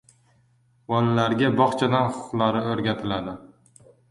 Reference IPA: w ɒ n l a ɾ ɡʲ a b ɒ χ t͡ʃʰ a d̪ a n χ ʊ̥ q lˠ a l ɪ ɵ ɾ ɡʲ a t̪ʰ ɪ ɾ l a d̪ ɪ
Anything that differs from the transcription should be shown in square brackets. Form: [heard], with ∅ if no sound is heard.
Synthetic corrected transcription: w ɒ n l a ɾ ɡʲ a b ɒ χ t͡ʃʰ a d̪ a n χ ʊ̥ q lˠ a [ɾ] ɪ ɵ ɾ ɡʲ a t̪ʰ ɪ [∅] l a d̪ ɪ